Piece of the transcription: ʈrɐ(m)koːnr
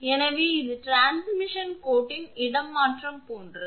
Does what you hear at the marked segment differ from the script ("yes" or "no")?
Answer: no